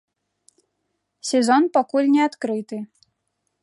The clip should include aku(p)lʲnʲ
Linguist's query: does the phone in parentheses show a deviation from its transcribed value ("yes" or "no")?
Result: yes